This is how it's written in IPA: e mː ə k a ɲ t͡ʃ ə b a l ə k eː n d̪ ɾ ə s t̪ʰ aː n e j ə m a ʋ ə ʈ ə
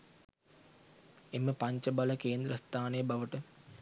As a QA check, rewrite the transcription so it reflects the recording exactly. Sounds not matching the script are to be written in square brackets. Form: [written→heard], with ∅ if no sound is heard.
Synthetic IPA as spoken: e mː ə [k→p] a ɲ t͡ʃ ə b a l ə k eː n d̪ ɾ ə s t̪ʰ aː n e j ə [m→b] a ʋ ə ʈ ə